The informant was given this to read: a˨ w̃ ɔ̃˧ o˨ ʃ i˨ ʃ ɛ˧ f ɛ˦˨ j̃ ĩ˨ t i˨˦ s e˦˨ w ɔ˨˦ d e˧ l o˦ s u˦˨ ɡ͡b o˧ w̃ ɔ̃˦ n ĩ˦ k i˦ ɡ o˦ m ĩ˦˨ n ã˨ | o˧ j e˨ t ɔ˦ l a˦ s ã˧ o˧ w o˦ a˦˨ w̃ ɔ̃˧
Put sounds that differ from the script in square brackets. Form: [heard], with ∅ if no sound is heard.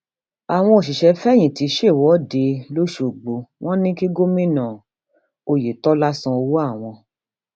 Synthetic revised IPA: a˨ w̃ ɔ̃˧ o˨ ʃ i˨ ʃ ɛ˧ f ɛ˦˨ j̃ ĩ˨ t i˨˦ [ʃ] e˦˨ w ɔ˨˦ d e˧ l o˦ [ʃ] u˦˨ ɡ͡b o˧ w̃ ɔ̃˦ n ĩ˦ k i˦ ɡ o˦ m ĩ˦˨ n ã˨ | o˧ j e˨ t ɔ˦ l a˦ s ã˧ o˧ w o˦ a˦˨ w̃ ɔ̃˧